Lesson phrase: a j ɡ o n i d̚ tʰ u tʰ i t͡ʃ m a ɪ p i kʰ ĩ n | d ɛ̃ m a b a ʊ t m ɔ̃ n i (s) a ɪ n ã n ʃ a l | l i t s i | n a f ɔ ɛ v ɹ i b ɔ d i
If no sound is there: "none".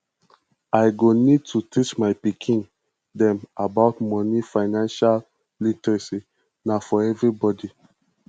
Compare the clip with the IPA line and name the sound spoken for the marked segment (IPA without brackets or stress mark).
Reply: f